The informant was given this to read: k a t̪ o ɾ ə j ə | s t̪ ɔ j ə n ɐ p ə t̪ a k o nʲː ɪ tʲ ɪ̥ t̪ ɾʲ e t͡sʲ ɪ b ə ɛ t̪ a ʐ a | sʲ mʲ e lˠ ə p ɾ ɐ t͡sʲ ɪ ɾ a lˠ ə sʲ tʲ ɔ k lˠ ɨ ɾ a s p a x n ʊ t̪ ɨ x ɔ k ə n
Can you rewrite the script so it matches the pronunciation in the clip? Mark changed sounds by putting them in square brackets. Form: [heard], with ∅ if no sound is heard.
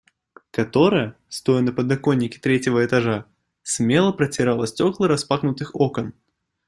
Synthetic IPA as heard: k a t̪ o ɾ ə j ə | s t̪ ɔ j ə n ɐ p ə [d̪] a k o nʲː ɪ [kʲ] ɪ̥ t̪ ɾʲ e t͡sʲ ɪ [v] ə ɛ t̪ a ʐ a | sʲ mʲ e lˠ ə p ɾ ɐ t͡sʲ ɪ ɾ a lˠ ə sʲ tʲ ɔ k lˠ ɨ ɾ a s p a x n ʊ t̪ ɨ x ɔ k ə n

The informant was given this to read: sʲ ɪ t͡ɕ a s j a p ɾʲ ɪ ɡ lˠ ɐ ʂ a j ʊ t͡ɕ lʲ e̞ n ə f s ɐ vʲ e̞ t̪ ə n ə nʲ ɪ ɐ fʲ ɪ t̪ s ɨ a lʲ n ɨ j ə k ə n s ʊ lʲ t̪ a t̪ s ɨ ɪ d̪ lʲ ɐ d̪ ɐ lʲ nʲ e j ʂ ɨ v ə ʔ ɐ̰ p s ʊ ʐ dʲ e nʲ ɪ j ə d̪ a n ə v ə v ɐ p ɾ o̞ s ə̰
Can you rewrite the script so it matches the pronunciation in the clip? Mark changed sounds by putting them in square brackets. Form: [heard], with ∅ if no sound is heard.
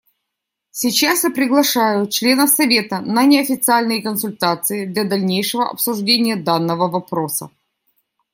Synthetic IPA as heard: sʲ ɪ t͡ɕ a s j a p ɾʲ ɪ ɡ lˠ ɐ ʂ a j ʊ t͡ɕ lʲ e̞ n ə f s ɐ vʲ e̞ t̪ ə n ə nʲ ɪ ɐ fʲ ɪ t̪ s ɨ a lʲ n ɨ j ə k ə n s ʊ lʲ t̪ a t̪ s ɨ ɪ d̪ lʲ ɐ d̪ ɐ lʲ nʲ e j ʂ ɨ v ə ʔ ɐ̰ p s ʊ ʐ dʲ e nʲ ɪ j ə d̪ a [nː] ə v ə v ɐ p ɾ o̞ s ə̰

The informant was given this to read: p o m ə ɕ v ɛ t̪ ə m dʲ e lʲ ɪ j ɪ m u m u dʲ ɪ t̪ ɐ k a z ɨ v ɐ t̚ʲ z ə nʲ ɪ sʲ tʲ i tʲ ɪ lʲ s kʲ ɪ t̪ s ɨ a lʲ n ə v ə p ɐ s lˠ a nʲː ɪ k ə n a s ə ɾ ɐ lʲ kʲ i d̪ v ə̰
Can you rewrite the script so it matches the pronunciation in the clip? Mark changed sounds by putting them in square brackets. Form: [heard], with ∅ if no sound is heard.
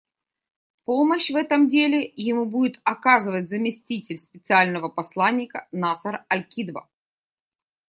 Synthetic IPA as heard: p o m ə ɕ v ɛ t̪ ə m dʲ e lʲ ɪ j ɪ m u [b] u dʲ ɪ t̪ ɐ k a z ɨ v [ə] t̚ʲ z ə [mʲ] ɪ sʲ tʲ i tʲ ɪ lʲ s [pʲ] ɪ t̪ s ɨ a lʲ n ə v ə p ɐ s lˠ a nʲː ɪ k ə n a s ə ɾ ɐ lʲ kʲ i d̪ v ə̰

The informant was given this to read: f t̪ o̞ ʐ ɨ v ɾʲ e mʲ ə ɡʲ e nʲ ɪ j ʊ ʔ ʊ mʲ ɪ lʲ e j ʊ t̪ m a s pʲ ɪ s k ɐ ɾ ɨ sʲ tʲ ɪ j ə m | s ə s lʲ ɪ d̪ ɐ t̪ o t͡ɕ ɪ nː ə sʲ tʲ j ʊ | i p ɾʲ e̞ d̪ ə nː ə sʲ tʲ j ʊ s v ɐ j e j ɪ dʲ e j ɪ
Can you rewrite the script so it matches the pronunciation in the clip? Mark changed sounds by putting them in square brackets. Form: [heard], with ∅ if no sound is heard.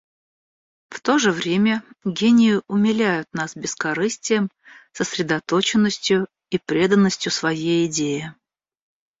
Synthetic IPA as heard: f t̪ o̞ ʐ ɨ v ɾʲ e mʲ ə ɡʲ e nʲ ɪ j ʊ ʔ ʊ mʲ ɪ lʲ [æ] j ʊ t̪ [n] a s [bʲ] ɪ s k ɐ ɾ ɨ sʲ tʲ ɪ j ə m | s ə s [ɾʲ] ɪ d̪ ɐ t̪ o t͡ɕ ɪ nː ə sʲ tʲ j ʊ | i p ɾʲ e̞ d̪ ə nː ə sʲ tʲ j ʊ s v ɐ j e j ɪ dʲ e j ɪ

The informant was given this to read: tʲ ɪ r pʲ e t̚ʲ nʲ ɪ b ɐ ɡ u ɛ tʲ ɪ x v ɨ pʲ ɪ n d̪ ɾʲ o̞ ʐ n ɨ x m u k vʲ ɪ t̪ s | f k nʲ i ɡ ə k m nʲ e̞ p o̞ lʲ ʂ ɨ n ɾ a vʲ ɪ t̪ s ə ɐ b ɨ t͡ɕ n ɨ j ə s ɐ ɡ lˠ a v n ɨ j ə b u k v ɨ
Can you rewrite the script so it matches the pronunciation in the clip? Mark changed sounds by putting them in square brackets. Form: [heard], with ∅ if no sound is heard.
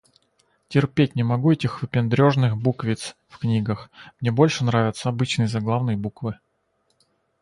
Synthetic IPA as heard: tʲ ɪ r pʲ e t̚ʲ nʲ ɪ [m] ɐ ɡ u ɛ tʲ ɪ x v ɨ pʲ ɪ n d̪ ɾʲ o̞ ʐ n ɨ x [b] u k vʲ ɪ t̪ s | f k nʲ i ɡ ə [x] m nʲ e̞ [b] o̞ lʲ ʂ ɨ n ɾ a vʲ ɪ t̪ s ə ɐ b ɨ t͡ɕ n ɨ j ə [z] ɐ ɡ lˠ a v n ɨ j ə b u k v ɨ

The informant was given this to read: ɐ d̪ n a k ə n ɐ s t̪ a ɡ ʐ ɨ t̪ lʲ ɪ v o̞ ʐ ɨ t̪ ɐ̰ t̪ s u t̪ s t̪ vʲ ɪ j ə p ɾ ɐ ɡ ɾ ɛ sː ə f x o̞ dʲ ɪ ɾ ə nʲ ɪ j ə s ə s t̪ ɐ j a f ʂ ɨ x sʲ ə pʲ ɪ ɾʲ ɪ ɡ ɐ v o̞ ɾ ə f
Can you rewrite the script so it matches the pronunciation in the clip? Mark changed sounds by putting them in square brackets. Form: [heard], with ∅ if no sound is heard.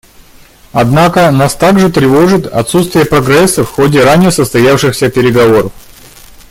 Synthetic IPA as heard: ɐ d̪ n a k ə n [a] s t̪ a ɡ ʐ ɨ t̪ [ɾʲ] ɪ v o̞ ʐ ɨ t̪ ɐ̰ t̪ s u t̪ s t̪ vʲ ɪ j ə p ɾ ɐ ɡ ɾ ɛ sː ə f x o̞ dʲ ɪ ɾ [a] nʲ ɪ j ə s ə s t̪ ɐ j a f ʂ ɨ x sʲ ə pʲ ɪ ɾʲ ɪ ɡ ɐ v o̞ ɾ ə f

